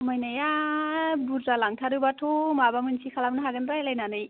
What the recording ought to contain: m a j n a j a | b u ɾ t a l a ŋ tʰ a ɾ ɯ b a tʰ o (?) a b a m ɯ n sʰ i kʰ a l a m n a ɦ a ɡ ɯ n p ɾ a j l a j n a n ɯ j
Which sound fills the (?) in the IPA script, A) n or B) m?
B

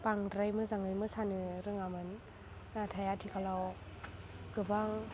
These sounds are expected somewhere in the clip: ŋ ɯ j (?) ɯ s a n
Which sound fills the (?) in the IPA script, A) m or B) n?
A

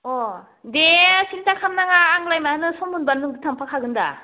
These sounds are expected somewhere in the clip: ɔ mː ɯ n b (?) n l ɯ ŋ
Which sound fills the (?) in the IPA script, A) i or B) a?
B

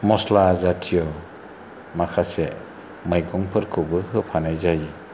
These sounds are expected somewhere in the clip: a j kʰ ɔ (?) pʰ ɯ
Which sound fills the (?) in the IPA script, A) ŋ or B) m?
A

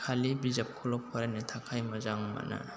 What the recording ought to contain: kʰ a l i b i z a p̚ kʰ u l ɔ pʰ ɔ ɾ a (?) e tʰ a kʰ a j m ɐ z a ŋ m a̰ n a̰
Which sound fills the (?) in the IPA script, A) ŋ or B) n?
B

